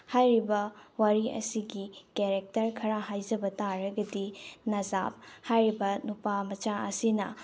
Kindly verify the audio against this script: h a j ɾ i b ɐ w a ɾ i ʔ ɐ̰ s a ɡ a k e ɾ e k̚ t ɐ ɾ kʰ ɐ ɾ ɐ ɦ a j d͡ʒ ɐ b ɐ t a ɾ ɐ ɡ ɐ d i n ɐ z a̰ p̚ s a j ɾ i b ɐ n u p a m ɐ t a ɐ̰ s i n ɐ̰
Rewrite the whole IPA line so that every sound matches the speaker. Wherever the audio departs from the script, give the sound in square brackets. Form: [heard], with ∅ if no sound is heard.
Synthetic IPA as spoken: h a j ɾ i b ɐ w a ɾ i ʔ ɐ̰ s [i] ɡ [i] k e ɾ e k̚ t ɐ ɾ kʰ ɐ ɾ [a] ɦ a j d͡ʒ ɐ b ɐ t a ɾ ɐ ɡ ɐ d i n ɐ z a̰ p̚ [h] a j ɾ i b ɐ n u p a m ɐ [t͡ʃ] a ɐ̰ s i n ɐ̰